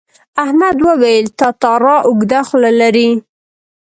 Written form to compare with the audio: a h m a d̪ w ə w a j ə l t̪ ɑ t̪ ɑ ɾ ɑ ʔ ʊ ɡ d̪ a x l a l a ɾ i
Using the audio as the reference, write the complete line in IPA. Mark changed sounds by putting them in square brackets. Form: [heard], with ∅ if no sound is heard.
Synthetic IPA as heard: a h m a d̪ w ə w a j ə l t̪ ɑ t̪ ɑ ɾ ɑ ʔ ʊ ɡ d̪ a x l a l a ɾ i